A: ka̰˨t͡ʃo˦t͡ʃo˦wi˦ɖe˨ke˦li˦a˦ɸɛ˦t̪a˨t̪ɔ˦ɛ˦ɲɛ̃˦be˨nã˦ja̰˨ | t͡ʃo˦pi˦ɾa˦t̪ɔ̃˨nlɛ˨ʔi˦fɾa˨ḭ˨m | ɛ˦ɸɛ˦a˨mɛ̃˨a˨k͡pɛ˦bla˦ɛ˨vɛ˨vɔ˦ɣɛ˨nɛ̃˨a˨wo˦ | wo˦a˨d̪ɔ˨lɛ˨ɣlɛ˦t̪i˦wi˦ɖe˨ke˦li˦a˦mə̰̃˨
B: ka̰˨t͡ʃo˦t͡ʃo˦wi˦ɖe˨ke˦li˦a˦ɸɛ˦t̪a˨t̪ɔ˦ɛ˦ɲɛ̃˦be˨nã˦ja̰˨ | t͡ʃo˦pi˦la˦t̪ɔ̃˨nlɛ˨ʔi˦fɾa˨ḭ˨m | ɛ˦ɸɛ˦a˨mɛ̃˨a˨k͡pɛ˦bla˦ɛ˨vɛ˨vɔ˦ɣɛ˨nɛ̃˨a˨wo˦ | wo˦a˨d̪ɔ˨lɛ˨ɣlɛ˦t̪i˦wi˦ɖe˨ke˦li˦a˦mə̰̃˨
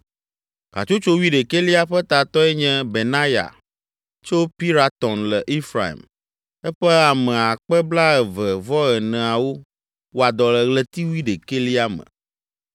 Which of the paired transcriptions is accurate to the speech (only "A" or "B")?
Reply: A